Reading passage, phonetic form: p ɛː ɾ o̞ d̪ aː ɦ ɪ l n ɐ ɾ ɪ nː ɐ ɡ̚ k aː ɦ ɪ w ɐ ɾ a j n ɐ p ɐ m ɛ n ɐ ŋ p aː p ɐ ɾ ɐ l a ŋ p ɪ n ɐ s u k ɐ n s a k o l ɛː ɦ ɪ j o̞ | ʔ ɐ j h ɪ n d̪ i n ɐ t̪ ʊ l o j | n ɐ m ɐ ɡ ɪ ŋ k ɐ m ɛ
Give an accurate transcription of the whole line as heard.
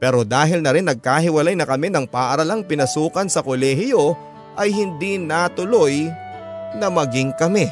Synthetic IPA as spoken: p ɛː ɾ o̞ d̪ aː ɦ ɪ l n ɐ ɾ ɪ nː ɐ ɡ̚ k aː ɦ ɪ w ɐ l a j n ɐ k ɐ m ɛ n ɐ ŋ p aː ʔ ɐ ɾ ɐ l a ŋ p ɪ n ɐ s uː k ɐ n s ɐ k o l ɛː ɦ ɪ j o̞ | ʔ ɐ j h ɪ n d̪ i n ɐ t̪ ʊ l o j | n ɐ m ɐ ɡ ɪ ŋ k ɐ m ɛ